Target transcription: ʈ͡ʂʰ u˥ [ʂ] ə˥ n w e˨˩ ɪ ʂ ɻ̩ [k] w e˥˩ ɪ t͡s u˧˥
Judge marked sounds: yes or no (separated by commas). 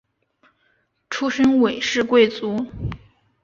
yes, yes